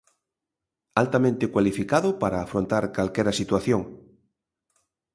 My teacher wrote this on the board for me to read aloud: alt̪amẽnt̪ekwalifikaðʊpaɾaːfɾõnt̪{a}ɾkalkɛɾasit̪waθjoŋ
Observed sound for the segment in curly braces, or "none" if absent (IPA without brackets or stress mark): a